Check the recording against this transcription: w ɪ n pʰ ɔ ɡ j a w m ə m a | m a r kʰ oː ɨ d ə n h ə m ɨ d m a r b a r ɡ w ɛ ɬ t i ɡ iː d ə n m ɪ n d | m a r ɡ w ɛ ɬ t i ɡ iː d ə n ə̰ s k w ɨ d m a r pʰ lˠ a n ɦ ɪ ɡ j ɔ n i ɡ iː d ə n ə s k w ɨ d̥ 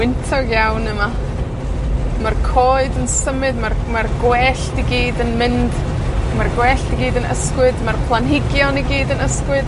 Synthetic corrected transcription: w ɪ n tʰ ɔ ɡ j a w n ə m a | m a r kʰ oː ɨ d ə n s ə m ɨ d m a r m a r ɡ w ɛ ɬ t i ɡ iː d ə n m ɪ n d | m a r ɡ w ɛ ɬ t i ɡ iː d ə n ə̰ s k w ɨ d m a r pʰ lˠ a n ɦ ɪ ɡ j ɔ n i ɡ iː d ə n ə s k w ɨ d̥